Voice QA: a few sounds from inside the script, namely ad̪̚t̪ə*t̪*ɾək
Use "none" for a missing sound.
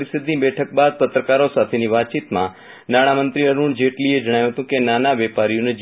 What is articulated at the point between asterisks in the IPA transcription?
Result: t̪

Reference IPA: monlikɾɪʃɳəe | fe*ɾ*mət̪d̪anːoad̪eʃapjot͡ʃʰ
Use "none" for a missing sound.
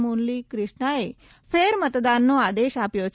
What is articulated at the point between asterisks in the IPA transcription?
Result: ɾ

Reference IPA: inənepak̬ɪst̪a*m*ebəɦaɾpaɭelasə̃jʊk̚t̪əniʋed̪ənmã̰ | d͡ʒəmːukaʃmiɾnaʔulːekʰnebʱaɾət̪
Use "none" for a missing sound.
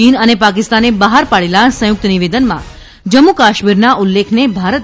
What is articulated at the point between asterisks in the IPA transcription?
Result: n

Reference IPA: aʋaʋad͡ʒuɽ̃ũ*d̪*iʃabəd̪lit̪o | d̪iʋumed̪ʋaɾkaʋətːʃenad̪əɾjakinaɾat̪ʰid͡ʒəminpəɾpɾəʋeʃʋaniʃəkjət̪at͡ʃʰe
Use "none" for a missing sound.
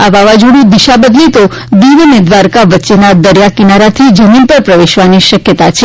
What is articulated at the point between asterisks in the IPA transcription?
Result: d̪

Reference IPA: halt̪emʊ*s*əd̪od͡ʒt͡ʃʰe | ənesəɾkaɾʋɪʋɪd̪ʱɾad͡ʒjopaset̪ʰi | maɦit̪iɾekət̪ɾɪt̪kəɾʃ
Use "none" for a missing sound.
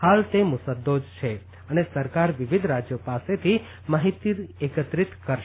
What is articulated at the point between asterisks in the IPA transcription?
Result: s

